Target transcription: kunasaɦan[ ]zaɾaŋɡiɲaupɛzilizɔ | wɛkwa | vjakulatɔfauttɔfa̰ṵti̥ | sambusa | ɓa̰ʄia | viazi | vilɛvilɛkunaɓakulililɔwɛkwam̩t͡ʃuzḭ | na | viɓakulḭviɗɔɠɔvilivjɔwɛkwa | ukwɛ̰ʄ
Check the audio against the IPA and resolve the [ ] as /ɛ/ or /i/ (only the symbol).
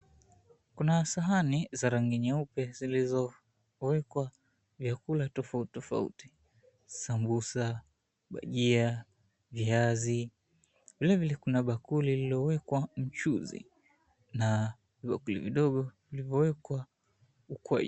i